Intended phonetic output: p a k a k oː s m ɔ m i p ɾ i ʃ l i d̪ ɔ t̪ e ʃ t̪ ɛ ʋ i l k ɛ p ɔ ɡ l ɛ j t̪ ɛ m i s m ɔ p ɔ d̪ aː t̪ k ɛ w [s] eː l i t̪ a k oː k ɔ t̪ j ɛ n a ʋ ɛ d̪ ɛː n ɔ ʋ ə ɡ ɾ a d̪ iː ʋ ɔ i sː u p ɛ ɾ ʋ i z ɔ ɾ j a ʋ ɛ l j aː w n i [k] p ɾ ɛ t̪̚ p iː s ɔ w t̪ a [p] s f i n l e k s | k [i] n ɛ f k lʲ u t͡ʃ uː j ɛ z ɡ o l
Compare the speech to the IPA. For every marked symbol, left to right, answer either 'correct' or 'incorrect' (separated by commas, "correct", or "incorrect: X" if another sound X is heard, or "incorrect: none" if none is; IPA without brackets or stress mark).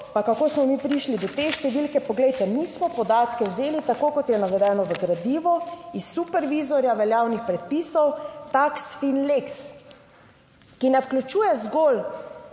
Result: incorrect: z, incorrect: x, incorrect: k, correct